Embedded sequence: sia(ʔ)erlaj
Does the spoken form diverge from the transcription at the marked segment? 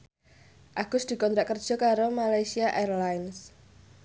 no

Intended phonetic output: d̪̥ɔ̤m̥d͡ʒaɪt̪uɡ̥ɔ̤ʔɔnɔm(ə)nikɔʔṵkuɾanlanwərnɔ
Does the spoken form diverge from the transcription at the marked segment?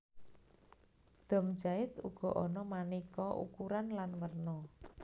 yes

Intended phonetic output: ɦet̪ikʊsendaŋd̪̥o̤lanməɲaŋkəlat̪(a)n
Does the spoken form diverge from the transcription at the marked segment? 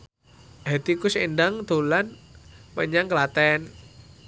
yes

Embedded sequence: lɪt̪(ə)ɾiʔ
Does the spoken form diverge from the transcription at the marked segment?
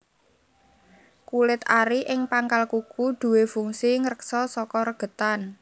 yes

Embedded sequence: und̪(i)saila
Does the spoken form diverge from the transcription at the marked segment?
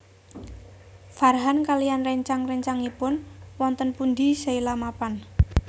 no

